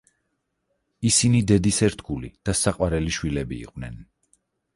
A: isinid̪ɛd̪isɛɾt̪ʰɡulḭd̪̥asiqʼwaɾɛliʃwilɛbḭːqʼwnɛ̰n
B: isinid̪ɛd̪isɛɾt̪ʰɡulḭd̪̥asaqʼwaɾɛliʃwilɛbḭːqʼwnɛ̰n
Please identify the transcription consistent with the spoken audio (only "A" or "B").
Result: B